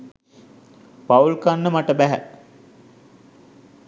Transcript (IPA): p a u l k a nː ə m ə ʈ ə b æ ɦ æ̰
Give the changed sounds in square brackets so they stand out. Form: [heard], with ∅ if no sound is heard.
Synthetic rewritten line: p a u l k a nː ə m [a] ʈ ə b æ ɦ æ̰

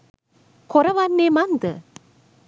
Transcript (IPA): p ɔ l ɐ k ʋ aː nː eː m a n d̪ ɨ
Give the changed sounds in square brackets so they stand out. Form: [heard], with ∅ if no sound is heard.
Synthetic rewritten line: [k] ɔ [ɾ] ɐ [∅] ʋ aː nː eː m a n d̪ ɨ

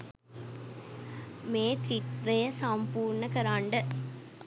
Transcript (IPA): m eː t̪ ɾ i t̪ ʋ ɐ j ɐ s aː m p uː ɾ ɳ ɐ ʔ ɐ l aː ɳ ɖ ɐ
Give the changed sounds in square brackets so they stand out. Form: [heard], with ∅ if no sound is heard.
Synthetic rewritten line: m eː t̪ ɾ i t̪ ʋ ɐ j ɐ s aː m p uː ɾ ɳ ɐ [k] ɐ [ɾ] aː ɳ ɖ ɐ

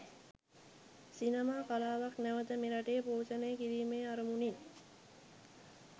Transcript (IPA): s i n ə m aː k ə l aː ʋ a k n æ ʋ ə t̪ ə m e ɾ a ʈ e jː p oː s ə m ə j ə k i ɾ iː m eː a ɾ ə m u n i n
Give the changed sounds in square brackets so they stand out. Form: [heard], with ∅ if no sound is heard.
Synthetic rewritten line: s i n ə m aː k [a] l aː ʋ a k n æ ʋ ə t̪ ə m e ɾ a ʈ e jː p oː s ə [n] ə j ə k i ɾ iː m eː a ɾ ə m u n i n

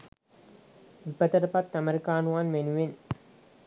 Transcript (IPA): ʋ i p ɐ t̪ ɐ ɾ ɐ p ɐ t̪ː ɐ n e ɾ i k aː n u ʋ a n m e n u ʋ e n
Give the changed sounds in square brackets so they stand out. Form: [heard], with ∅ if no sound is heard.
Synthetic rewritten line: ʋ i p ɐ t̪ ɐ ɾ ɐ p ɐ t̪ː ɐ [m] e ɾ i k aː n u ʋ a n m e n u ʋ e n

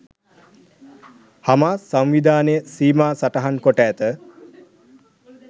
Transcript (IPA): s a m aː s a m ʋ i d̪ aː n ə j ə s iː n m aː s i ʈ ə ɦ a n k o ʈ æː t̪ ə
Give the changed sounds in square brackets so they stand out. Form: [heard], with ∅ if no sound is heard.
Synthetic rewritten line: [h] a m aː s a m ʋ i d̪ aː n ə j ə s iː [∅] m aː s [a] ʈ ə ɦ a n k o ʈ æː t̪ ə

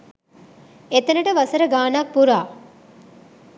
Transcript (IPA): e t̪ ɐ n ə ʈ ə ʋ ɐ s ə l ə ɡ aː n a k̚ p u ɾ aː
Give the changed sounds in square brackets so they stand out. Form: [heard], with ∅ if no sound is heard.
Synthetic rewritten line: e t̪ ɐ n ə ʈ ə ʋ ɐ s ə [ɾ] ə ɡ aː n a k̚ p u ɾ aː

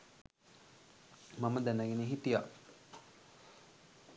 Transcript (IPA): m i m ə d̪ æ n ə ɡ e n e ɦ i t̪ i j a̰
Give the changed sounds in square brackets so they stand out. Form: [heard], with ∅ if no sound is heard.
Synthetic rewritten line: m [a] m ə d̪ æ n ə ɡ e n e ɦ i t̪ i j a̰

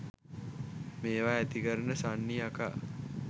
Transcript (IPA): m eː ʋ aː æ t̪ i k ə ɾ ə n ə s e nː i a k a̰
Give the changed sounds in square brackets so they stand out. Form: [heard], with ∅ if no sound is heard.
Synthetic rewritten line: m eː ʋ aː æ t̪ i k ə ɾ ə n ə s [a] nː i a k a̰

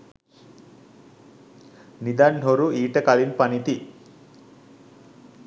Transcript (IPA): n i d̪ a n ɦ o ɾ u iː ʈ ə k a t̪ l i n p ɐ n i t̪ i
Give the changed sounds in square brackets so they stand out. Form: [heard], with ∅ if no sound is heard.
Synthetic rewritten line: n i d̪ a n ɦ o ɾ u iː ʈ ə k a [∅] l i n p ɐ n i t̪ i

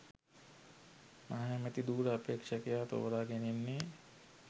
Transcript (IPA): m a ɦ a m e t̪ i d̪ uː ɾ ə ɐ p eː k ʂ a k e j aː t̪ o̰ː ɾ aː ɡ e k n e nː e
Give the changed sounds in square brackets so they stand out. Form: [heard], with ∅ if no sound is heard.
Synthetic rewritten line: m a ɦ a m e t̪ i d̪ uː ɾ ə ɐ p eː k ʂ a k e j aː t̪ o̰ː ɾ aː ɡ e [∅] n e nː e

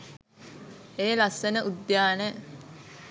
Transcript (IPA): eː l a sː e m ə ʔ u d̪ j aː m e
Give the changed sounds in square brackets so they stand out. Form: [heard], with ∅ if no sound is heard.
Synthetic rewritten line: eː l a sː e [n] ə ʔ u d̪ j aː [n] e

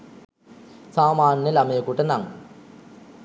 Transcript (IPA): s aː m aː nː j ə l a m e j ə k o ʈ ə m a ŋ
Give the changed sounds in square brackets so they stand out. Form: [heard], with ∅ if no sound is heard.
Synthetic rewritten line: s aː m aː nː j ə l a m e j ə k [u] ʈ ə [n] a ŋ

